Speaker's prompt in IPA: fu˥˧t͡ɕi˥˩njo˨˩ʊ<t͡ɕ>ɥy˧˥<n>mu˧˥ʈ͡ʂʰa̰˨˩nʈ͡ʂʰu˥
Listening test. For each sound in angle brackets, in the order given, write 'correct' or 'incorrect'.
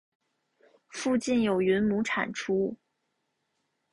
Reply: incorrect, correct

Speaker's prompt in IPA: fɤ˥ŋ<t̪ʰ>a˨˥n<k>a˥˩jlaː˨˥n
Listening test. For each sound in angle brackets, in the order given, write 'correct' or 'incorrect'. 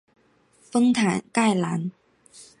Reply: correct, correct

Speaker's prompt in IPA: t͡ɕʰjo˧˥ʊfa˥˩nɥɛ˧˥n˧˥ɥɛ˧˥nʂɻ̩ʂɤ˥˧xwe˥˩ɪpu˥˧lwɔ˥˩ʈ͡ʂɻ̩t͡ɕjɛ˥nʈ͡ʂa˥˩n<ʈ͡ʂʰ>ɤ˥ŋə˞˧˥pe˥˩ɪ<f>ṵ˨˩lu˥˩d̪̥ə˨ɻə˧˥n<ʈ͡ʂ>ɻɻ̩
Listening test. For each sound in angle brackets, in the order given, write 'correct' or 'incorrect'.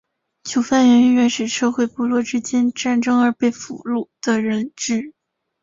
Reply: incorrect, correct, correct

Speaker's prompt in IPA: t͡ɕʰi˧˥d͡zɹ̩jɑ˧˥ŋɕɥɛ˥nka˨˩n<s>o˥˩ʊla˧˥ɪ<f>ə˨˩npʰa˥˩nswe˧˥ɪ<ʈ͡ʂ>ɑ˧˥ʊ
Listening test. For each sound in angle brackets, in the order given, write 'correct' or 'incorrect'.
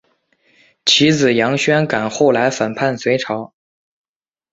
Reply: incorrect, correct, incorrect

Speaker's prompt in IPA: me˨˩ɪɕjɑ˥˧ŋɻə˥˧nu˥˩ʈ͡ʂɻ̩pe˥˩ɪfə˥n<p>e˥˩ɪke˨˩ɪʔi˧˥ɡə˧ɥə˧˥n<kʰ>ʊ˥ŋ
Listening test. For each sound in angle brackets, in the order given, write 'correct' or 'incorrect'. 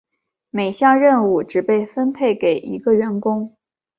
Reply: incorrect, incorrect

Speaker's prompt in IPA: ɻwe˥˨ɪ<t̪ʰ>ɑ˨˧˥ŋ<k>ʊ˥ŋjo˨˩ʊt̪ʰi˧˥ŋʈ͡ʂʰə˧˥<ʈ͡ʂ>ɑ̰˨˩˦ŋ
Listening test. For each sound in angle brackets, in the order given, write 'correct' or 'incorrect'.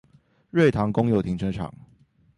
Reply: correct, correct, incorrect

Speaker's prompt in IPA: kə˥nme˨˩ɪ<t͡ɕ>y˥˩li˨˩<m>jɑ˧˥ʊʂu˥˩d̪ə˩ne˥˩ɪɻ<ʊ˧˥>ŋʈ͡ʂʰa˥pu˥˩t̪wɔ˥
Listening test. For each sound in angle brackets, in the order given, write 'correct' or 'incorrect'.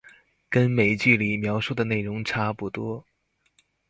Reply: correct, correct, correct

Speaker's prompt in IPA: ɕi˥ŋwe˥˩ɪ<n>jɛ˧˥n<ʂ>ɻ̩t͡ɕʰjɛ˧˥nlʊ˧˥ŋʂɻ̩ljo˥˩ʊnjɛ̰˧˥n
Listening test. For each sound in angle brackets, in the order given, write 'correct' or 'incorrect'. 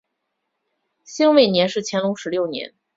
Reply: correct, correct

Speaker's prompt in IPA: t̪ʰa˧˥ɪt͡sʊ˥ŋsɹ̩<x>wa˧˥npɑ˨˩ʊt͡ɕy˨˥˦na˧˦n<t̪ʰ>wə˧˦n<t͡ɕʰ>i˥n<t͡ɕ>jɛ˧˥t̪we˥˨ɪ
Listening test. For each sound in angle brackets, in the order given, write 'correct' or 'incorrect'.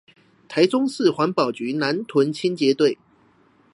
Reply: correct, correct, correct, correct

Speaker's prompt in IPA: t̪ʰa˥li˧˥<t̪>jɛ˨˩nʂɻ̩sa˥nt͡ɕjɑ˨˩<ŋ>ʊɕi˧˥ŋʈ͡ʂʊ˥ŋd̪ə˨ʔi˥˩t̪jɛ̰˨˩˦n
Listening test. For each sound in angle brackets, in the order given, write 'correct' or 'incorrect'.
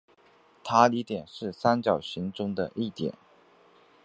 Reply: correct, incorrect

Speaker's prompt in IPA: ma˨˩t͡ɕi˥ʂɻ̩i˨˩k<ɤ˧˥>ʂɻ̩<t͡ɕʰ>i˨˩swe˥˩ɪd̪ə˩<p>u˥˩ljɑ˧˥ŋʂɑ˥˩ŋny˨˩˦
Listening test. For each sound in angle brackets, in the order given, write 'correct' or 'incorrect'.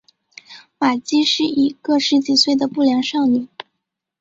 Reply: incorrect, incorrect, correct

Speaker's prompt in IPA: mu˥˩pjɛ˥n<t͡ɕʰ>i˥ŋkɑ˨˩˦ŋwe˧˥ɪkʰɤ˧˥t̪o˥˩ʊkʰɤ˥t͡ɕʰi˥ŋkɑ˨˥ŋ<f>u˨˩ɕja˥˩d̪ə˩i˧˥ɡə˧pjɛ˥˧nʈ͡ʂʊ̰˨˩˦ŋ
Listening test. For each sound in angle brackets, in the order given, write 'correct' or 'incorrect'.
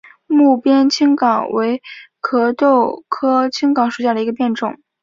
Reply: correct, incorrect

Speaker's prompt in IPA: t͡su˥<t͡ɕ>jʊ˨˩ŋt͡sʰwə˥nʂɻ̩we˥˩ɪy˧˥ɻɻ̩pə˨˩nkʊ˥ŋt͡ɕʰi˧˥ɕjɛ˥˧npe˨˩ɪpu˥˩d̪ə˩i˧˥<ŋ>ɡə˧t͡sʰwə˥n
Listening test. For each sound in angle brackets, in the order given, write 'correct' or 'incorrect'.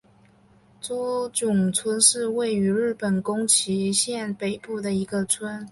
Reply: correct, incorrect

